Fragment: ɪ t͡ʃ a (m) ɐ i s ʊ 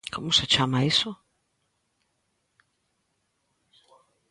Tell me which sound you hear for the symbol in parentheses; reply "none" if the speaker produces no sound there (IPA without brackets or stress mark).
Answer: m